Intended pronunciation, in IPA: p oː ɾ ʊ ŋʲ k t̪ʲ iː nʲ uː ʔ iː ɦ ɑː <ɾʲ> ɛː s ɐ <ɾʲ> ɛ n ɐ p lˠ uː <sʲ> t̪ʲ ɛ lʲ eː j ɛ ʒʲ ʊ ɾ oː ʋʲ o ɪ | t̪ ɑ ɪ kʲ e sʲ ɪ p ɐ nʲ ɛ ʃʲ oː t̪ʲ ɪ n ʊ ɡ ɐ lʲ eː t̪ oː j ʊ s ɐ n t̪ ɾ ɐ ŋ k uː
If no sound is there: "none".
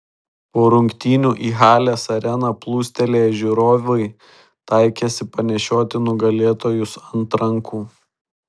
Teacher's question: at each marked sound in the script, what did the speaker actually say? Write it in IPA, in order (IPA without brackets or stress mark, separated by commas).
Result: lʲ, ɾʲ, sʲ